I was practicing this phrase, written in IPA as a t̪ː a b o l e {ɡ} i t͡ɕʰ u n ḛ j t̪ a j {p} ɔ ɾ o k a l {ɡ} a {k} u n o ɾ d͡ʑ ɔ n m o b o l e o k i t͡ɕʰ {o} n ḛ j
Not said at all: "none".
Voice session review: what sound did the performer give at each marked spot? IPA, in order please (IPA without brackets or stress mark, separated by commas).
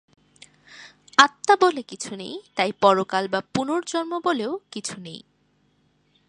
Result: k, p, b, p, u